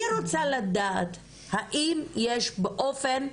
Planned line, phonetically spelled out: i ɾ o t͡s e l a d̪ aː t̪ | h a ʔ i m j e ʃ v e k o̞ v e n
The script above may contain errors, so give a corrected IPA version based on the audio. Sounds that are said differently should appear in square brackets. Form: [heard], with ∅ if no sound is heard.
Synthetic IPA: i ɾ o t͡s [a] l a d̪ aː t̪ | h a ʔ i m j e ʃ [b] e [ʔ] o̞ [f] e n

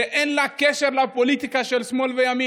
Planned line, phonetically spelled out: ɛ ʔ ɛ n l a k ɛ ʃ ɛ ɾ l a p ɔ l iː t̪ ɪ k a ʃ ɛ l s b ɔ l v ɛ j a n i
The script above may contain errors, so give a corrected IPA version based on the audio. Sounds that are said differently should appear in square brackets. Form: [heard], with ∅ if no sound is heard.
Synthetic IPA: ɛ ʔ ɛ n l a k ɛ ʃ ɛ ɾ l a p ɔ l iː t̪ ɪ k a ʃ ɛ l s [m] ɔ l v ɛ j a [m] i

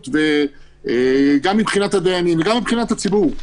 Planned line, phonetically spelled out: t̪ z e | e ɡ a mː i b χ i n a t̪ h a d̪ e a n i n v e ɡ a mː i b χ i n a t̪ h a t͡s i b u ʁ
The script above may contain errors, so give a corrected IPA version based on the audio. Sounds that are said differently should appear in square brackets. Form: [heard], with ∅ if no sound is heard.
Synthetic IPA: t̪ [v] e | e ɡ a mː i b χ i n a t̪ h a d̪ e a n i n v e ɡ a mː i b χ i n a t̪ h a t͡s i b u ʁ

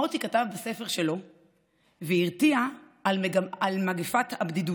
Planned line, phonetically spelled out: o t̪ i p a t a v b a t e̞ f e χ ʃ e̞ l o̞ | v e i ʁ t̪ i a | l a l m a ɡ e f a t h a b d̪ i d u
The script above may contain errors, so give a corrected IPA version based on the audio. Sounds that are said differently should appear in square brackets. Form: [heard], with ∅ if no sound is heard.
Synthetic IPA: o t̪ i [k] a t a v b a [s] e̞ f e [ʁ] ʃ e̞ l o̞ | v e i ʁ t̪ i a | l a l m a ɡ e f a t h a b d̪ i d u

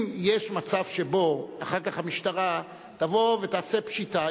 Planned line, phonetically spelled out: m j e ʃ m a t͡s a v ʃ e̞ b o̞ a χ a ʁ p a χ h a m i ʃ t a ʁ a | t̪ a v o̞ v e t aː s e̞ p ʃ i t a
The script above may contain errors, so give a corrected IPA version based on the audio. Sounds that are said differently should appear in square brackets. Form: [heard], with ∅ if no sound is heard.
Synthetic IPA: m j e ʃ m a t͡s a v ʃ e̞ b o̞ a χ a ʁ [k] a χ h a m i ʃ t a ʁ a | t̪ a v o̞ v e t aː s e̞ p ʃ i t a

